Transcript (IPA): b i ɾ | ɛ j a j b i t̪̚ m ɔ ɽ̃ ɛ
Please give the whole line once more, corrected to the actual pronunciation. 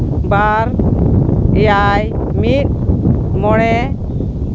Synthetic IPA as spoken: b a ɾ | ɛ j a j m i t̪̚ m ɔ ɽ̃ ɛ